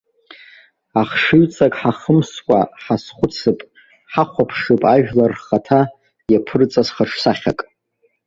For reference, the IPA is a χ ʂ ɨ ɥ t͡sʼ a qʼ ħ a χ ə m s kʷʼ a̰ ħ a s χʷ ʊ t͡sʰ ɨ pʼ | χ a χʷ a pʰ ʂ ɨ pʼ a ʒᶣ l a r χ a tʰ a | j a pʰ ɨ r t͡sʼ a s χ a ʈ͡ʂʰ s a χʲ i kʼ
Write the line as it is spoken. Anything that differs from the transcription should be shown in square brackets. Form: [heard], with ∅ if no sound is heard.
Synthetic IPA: a χ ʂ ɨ ɥ t͡sʼ a [kʼ] ħ a χ ə m s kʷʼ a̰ ħ a s χʷ ʊ t͡sʰ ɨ pʼ | [ħ] a χʷ a pʰ ʂ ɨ pʼ a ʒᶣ l a r χ a tʰ a | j a pʰ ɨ r t͡sʼ a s χ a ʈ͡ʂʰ s a χʲ [a] kʼ